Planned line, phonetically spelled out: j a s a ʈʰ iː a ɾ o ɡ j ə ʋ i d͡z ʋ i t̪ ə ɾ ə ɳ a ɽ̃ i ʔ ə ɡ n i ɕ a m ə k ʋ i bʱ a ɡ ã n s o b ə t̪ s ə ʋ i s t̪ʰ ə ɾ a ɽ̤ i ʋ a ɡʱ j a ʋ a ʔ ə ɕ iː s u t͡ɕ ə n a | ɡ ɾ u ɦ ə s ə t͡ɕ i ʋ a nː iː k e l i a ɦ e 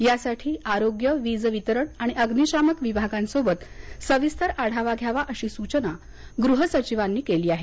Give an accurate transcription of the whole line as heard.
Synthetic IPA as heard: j a s a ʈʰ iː a ɾ o ɡ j ə ʋ i d͡z ʋ i t̪ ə ɾ ə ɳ a ɽ̃ i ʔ ə ɡ n i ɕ a m ə k ʋ i bʱ a ɡ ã n s o b ə t̪ s ə ʋ i s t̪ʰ ə ɾ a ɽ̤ a ʋ a ɡʱ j a ʋ a ʔ ə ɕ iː s u t͡ɕ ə n a | ɡ ɾ u ɦ ə s ə t͡ɕ i ʋ a nː iː k e l iː a ɦ e